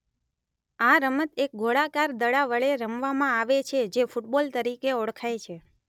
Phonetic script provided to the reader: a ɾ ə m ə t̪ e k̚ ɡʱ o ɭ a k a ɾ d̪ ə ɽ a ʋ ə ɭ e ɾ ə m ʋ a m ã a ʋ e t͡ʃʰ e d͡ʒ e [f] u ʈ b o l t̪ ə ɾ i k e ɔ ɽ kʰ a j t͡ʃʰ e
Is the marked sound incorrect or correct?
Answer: correct